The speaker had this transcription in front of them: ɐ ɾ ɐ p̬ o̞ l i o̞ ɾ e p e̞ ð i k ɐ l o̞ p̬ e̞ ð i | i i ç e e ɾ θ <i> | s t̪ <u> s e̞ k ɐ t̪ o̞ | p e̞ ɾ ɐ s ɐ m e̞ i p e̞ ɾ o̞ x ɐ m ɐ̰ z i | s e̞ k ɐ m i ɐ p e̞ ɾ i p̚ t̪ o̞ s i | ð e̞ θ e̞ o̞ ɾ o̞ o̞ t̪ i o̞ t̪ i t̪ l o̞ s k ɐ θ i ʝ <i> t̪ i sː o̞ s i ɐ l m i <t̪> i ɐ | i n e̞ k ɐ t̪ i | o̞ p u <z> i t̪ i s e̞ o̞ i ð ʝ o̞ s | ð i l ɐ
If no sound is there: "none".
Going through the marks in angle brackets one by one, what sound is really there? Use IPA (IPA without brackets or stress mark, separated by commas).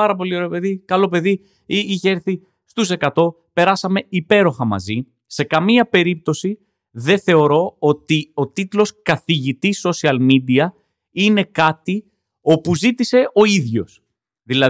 i, u, i, d̪, z